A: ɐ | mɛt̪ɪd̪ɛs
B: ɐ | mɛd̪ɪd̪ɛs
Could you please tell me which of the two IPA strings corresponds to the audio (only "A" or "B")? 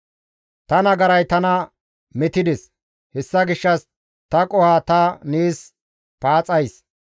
A